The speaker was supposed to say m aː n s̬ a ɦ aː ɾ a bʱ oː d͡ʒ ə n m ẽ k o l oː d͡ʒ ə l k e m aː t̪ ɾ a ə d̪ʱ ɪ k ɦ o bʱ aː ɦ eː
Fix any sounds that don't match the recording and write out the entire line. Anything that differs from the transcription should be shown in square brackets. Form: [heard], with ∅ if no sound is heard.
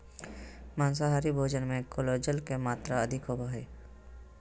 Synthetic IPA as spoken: m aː n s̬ a ɦ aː ɾ [i] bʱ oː d͡ʒ ə n m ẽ k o l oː d͡ʒ ə l k e m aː t̪ ɾ a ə d̪ʱ ɪ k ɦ o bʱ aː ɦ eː